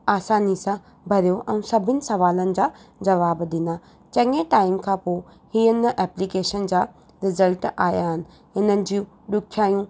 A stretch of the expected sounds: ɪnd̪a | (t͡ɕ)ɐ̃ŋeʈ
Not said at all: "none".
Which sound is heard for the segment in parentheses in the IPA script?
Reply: t͡ɕ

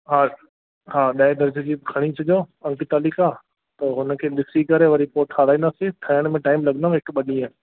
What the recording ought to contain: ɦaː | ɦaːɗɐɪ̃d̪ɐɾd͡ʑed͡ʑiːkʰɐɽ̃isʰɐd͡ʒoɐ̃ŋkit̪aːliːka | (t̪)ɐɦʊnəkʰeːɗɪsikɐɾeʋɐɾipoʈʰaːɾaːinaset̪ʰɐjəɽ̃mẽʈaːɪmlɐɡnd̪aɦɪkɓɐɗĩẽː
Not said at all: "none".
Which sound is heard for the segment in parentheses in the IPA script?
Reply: t̪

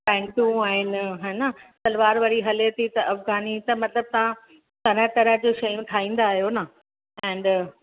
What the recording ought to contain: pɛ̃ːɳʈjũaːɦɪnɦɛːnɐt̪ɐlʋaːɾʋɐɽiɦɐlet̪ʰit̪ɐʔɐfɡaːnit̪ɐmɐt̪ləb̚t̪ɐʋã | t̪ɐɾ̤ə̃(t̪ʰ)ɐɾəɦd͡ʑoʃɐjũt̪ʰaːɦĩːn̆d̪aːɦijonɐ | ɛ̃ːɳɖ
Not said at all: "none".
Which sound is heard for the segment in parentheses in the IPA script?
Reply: t̪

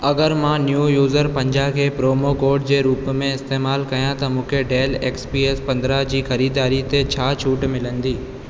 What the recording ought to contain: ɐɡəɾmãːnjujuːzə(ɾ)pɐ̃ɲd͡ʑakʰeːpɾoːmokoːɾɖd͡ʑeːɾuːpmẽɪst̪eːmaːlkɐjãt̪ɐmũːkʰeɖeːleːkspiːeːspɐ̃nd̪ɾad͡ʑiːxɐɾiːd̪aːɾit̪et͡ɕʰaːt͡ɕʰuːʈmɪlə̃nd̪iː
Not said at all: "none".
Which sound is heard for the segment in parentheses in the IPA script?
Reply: ɾ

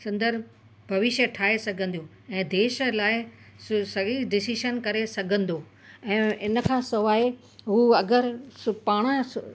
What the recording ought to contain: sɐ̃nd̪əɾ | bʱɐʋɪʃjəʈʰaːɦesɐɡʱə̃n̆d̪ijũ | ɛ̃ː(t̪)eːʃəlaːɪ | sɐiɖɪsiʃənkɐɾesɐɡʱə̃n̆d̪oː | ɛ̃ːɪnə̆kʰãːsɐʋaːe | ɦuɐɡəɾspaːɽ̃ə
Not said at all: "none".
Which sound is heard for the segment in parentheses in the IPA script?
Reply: d̪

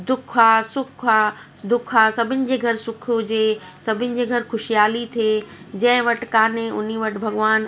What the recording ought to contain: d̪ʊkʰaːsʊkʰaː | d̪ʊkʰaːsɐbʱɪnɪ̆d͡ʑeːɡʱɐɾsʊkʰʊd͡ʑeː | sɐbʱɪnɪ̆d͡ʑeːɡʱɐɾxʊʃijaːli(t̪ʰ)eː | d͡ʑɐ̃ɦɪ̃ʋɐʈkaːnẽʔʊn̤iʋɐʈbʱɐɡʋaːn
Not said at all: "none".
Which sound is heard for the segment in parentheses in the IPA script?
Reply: t̪ʰ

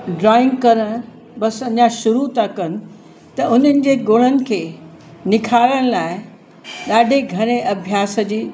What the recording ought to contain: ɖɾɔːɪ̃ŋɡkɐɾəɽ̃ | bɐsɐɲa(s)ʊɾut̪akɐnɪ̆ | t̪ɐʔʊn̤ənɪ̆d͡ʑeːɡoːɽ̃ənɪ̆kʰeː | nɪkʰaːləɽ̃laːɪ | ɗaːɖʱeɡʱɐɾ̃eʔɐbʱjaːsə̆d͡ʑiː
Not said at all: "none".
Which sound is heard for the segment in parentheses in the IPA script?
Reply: ʃ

